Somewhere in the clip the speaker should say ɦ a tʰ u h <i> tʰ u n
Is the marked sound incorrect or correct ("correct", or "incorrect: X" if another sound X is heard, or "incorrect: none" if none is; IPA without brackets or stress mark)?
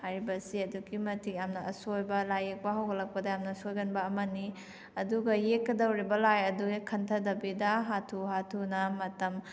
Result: incorrect: a